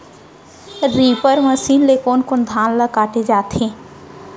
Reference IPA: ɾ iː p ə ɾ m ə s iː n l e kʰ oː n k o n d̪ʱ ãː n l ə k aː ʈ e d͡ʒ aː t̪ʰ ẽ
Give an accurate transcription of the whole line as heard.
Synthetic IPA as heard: ɾ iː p ə ɾ m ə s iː n l e k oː n k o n d̪ʱ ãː n l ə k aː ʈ e d͡ʒ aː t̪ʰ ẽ